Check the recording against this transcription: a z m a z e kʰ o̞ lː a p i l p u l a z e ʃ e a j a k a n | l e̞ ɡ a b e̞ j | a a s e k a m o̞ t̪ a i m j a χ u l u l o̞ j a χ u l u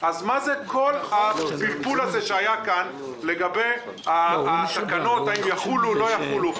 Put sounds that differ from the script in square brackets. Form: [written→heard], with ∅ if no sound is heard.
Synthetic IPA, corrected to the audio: a z m a z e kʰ o̞ [lː→l] a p i l p u l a z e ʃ e a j a k a n | l e̞ ɡ a b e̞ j | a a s [e→a] k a [m→n] o̞ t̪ a i m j a χ u l u l o̞ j a χ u l u